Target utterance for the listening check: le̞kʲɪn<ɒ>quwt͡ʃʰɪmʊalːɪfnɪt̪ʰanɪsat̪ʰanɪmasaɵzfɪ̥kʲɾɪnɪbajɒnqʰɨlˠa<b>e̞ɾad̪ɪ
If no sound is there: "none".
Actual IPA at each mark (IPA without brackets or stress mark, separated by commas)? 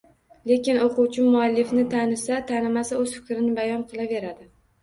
o, v